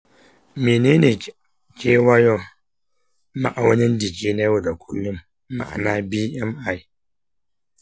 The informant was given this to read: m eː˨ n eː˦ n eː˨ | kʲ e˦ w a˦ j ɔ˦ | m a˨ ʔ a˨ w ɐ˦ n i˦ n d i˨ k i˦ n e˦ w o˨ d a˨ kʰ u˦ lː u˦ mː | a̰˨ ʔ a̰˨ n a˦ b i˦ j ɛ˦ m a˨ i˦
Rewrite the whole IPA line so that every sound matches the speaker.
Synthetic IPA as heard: m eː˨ n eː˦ n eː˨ | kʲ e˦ w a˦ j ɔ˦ | m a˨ ʔ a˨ w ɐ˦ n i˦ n d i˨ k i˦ n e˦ w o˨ d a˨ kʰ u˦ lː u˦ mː | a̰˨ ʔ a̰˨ n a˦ b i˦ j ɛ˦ m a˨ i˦